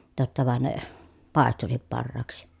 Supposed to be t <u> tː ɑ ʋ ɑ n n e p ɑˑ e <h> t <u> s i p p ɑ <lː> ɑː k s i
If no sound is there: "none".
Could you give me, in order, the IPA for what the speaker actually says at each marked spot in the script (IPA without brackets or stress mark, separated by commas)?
o, s, u, rː